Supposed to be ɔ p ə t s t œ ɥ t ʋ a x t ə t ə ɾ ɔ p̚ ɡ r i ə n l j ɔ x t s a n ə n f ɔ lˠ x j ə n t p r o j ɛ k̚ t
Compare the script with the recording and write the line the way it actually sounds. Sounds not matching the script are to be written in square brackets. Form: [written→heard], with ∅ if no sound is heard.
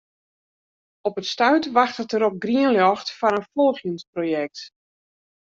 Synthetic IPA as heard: ɔ p ə t s t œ ɥ t ʋ a x t ə t ə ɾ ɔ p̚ ɡ r i ə n l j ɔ x t [s→f] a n ə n f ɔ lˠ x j ə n [t→s] p r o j ɛ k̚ t